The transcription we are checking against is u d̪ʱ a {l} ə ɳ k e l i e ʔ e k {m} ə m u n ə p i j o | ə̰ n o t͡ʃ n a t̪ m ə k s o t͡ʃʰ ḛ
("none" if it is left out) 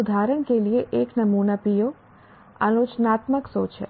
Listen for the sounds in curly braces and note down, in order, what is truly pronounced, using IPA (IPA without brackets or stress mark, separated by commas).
ɾ, n